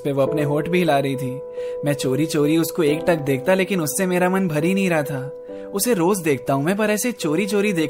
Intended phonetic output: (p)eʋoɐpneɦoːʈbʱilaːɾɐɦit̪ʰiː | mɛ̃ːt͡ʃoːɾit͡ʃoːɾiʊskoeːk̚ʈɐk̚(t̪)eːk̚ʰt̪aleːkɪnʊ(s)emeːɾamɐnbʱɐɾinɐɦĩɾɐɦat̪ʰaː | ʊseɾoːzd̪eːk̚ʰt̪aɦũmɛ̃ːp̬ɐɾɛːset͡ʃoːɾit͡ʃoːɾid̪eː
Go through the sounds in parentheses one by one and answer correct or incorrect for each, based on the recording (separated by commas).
correct, incorrect, incorrect